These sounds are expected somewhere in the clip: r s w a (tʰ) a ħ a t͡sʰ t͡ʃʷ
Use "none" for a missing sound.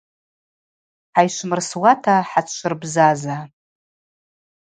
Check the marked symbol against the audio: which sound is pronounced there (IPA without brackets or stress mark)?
tʰ